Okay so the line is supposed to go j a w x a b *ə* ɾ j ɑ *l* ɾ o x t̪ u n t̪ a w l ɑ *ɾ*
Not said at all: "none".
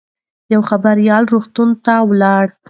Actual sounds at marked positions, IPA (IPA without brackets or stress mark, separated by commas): a, l, ɽ